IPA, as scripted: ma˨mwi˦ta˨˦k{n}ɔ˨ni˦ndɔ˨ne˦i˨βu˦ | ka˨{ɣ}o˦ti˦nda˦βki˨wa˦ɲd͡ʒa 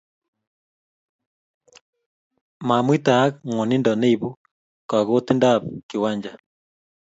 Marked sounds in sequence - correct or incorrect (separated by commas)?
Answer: incorrect, correct